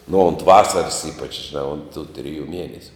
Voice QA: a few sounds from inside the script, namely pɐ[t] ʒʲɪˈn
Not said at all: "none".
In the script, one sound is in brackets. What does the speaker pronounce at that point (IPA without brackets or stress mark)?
t͡ʃ